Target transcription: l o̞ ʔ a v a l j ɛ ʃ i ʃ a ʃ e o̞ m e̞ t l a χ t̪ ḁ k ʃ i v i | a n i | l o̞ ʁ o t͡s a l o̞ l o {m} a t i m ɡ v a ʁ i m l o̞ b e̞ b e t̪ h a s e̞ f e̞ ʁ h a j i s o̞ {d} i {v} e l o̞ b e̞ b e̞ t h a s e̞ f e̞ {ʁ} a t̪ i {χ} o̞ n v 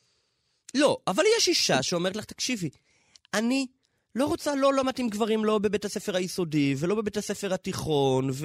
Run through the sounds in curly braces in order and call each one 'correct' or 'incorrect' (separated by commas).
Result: correct, correct, correct, correct, correct